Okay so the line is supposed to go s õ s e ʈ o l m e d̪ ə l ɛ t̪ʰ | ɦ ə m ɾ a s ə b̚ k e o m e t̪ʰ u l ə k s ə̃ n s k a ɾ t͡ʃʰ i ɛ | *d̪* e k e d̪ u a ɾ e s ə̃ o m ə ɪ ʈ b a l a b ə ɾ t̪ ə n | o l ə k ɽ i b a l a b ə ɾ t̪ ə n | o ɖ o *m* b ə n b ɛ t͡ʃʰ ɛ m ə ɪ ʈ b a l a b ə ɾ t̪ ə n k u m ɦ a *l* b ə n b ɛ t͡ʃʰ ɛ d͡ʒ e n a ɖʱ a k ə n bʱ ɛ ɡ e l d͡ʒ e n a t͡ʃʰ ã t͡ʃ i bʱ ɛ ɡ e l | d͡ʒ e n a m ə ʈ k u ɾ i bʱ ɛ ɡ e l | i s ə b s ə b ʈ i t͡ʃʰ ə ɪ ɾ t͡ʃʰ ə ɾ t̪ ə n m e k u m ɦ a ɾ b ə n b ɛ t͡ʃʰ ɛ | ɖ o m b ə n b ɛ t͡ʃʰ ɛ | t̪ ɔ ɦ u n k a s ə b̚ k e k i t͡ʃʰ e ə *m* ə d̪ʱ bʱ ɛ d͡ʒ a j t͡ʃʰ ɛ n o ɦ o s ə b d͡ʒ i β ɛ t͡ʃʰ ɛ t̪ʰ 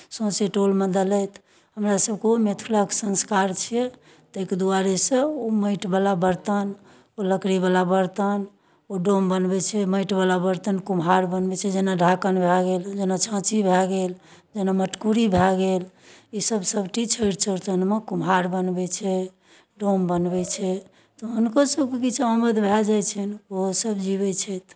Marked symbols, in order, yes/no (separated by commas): no, yes, no, yes